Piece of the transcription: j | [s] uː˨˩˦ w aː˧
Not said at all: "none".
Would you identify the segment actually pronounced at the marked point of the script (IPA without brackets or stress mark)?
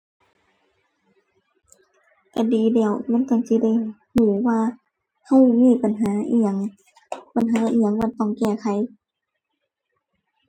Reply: h